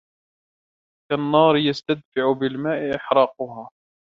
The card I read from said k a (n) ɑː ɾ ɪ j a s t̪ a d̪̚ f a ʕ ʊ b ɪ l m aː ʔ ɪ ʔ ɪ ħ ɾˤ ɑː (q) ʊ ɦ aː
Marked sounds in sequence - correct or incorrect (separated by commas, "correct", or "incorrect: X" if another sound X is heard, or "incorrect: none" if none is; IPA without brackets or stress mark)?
incorrect: nː, correct